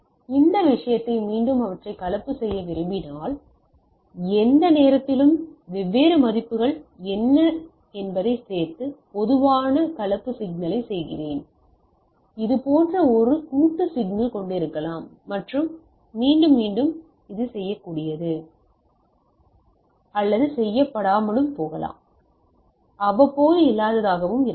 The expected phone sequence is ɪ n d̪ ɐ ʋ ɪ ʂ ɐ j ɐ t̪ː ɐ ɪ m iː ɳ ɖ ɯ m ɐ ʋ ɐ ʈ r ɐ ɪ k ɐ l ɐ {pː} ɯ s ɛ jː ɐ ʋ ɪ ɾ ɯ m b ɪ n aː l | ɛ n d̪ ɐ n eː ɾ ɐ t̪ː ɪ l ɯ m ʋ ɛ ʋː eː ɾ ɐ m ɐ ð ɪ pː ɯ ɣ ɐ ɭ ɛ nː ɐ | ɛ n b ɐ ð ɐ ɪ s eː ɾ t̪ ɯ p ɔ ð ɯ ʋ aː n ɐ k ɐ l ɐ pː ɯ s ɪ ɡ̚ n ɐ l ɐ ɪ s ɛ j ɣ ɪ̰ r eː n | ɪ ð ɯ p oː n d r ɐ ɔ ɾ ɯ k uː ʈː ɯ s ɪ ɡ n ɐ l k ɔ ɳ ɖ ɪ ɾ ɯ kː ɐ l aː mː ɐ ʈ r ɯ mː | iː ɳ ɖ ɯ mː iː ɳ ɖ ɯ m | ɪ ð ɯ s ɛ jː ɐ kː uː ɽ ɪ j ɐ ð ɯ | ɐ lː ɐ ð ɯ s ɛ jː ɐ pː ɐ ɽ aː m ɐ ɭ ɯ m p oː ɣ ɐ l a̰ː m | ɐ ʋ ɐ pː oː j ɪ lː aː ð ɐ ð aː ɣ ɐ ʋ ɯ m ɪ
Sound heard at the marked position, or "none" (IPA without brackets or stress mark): pː